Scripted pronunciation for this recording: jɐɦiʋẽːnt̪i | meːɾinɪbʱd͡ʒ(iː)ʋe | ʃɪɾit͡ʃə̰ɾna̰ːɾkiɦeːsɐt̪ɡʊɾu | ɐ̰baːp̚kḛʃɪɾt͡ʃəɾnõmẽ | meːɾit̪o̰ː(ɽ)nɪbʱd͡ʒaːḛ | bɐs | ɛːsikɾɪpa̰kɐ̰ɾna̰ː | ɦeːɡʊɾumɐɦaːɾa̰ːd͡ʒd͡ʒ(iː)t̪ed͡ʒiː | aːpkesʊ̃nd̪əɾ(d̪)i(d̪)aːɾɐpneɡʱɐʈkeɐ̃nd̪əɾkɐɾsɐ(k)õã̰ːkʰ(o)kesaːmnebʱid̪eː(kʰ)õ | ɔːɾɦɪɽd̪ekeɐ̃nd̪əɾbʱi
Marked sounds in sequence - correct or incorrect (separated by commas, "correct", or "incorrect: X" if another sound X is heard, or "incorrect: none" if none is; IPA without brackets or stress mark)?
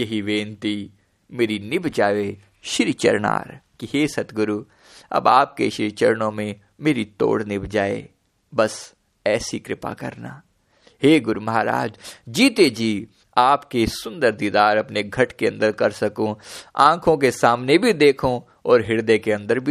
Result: incorrect: aː, correct, correct, correct, correct, correct, incorrect: õ, correct